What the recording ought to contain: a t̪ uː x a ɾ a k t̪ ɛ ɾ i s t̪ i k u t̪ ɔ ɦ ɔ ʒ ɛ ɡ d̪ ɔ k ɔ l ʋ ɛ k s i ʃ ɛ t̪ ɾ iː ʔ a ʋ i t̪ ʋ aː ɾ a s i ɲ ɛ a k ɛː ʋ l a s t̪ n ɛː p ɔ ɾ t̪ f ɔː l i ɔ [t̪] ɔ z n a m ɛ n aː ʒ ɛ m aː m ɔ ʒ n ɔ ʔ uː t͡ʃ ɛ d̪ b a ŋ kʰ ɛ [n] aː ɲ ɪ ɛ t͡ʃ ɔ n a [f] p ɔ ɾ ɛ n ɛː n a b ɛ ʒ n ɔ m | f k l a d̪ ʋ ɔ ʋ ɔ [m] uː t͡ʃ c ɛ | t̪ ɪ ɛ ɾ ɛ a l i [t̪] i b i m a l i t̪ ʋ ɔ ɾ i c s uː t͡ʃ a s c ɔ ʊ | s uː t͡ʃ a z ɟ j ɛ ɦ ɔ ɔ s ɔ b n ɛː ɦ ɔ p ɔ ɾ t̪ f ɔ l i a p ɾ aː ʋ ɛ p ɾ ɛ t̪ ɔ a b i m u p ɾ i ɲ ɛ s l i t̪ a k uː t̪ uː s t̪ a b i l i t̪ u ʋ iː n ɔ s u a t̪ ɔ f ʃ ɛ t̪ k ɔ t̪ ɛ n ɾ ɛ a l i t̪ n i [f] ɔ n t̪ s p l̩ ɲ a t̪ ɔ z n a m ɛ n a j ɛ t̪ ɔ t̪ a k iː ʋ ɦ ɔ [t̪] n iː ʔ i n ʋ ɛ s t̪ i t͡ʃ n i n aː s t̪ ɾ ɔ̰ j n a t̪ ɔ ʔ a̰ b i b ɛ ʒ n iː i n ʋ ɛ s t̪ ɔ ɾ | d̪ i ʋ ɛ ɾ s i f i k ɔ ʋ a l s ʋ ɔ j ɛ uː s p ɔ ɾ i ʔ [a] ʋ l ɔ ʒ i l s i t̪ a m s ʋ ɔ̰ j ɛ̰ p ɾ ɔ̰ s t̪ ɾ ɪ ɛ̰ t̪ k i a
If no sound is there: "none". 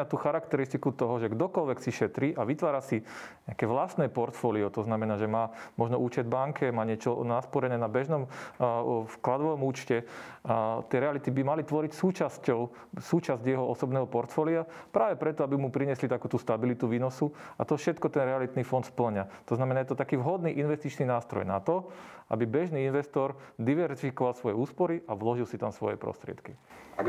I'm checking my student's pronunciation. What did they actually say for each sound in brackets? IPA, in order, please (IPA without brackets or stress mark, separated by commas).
t̪, m, s, m, t̪, f, d̪, a